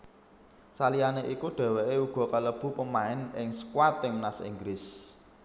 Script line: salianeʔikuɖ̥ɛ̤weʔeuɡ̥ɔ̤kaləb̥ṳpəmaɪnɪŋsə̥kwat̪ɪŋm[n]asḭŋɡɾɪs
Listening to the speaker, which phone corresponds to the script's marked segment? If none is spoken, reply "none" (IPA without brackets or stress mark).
n